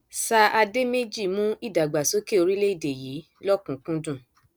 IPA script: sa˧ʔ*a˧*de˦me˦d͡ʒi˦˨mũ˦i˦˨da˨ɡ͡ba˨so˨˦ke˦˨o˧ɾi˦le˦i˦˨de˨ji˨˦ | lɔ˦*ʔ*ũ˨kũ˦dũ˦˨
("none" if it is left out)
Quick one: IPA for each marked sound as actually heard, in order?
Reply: a˧, k

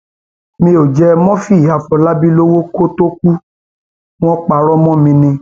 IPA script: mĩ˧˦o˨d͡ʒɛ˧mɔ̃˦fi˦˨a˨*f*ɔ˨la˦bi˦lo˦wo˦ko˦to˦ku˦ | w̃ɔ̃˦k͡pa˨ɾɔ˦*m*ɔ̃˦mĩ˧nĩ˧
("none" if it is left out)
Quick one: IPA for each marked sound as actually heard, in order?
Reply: f, m

